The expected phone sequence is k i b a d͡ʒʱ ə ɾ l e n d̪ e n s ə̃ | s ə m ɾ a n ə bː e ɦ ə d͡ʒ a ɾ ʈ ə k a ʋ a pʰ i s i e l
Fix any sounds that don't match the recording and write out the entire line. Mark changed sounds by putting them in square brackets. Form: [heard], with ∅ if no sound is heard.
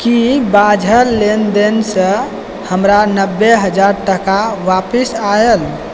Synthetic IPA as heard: k i b a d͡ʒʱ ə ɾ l e n d̪ e n s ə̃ | [h] ə m ɾ a n ə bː e ɦ ə d͡ʒ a ɾ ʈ ə k a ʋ a [p] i s [a] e l